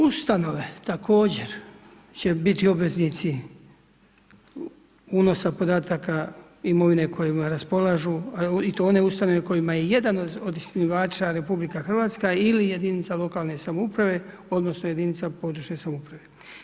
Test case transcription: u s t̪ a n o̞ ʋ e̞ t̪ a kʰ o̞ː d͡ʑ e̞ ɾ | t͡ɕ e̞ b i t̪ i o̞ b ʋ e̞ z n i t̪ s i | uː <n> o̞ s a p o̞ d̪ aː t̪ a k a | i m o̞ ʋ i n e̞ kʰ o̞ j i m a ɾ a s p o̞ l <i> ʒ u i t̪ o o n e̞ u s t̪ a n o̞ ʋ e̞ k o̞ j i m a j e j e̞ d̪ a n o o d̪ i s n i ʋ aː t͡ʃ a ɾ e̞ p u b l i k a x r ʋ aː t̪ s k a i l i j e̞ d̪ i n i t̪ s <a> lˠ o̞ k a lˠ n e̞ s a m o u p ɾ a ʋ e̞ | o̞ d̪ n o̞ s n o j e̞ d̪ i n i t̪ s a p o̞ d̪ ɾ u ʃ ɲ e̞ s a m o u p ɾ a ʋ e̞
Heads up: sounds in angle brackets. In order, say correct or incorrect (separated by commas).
correct, incorrect, correct